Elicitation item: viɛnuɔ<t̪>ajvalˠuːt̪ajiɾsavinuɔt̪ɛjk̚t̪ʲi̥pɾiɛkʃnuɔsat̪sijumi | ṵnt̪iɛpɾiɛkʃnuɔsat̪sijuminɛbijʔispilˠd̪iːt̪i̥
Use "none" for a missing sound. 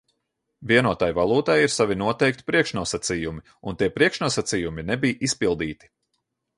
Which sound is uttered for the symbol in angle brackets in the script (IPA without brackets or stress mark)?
t̪